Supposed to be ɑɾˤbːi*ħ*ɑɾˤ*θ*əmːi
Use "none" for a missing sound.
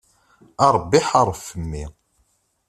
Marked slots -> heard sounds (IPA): ħ, f

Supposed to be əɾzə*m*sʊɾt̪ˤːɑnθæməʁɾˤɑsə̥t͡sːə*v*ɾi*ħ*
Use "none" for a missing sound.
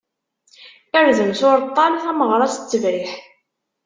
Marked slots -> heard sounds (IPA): m, v, ħ

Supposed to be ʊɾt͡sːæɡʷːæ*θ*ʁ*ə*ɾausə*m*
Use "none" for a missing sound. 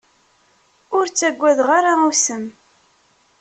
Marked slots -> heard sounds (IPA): ð, a, m

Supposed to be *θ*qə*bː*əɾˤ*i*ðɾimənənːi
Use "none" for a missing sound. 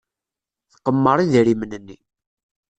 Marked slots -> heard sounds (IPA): θ, mː, i

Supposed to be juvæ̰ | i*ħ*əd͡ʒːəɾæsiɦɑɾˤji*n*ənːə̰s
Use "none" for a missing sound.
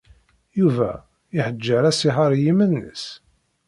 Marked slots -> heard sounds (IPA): ħ, m

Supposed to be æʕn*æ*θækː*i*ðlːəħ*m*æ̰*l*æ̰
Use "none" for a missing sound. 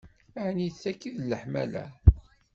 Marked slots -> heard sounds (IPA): i, i, m, l

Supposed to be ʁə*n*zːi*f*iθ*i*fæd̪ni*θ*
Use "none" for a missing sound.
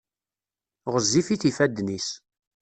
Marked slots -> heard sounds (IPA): none, f, i, s

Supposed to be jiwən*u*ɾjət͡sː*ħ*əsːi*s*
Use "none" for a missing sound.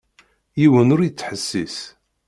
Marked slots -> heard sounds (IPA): ʊ, ħ, s

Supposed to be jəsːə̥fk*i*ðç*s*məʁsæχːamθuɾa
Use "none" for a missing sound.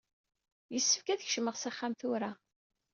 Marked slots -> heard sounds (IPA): æ, ʃ

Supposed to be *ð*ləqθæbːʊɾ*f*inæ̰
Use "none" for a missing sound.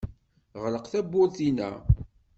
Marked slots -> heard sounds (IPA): ʁ, θ

